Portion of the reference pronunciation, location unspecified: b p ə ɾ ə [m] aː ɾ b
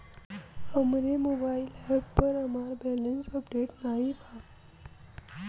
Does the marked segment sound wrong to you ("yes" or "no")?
no